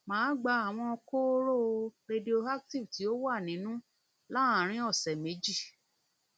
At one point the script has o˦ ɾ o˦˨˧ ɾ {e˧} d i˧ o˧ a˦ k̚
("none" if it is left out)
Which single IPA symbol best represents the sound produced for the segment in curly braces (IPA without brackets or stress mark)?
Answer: e˧